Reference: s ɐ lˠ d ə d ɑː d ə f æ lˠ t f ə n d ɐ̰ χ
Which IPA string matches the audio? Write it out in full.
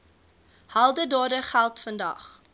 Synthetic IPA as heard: h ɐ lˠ d ə d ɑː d ə χ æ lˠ t f ə n d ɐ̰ χ